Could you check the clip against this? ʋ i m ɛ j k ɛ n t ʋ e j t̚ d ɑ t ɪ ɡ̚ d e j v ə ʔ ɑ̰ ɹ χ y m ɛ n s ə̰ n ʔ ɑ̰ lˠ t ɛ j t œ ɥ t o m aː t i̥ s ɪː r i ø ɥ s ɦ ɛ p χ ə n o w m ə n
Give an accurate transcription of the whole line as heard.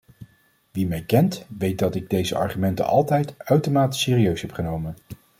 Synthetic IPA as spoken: ʋ i m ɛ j k ɛ n t ʋ e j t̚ d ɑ t ɪ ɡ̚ d e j z ə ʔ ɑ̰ ɹ χ y m ɛ n t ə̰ n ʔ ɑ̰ lˠ t ɛ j t œ ɥ t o m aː t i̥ s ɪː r i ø ɥ s ɦ ɛ p χ ə n o w m ə n